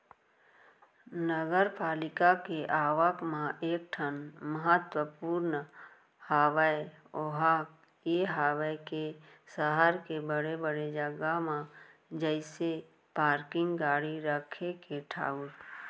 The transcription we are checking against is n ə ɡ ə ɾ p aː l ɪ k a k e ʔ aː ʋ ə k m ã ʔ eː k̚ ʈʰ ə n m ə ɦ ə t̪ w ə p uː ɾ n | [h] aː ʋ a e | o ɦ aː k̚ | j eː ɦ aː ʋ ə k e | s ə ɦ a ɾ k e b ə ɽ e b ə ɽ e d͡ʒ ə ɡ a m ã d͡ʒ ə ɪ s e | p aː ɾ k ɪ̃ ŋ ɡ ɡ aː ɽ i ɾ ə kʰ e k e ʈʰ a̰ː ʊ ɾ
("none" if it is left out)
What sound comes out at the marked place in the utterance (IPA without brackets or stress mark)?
h